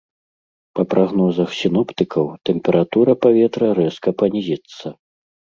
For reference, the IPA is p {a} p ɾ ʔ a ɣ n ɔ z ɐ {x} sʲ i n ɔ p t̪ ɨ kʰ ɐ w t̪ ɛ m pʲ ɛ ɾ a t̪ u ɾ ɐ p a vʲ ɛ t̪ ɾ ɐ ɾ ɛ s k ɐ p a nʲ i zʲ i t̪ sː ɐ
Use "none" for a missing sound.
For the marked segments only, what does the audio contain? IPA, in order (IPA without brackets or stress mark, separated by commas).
ɐ, x